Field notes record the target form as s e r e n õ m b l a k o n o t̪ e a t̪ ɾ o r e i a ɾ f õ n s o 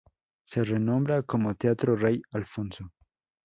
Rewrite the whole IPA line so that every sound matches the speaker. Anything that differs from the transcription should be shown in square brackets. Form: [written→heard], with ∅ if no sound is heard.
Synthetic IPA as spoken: s e r e n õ m b [l→ɾ] a k o [n→m] o t̪ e a t̪ ɾ o r e [i→j] a [ɾ→l] f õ n s o